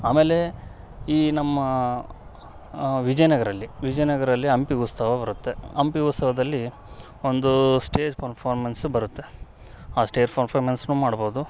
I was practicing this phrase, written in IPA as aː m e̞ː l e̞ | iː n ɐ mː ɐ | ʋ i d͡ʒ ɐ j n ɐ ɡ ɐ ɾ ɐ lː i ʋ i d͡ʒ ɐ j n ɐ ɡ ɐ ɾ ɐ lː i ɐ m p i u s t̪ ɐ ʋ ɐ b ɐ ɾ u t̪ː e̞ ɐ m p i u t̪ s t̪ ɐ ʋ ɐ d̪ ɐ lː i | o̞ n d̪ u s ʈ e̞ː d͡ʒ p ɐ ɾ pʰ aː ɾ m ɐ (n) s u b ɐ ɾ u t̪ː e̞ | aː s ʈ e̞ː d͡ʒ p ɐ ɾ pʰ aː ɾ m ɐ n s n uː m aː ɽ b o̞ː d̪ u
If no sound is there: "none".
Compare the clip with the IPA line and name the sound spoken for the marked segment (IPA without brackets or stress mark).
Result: n